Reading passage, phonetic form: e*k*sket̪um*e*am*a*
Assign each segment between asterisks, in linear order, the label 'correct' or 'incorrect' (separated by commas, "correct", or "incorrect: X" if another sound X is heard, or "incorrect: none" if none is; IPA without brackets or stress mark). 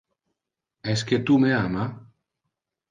incorrect: none, correct, correct